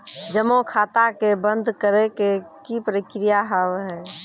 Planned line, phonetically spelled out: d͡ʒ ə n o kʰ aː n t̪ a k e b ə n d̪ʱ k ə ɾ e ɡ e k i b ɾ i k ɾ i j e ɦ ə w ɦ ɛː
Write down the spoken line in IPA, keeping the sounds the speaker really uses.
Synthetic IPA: d͡ʒ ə m o kʰ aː t̪ a k e b ə n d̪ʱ k ə ɾ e k e k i p ɾ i k ɾ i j a ɦ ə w ɦ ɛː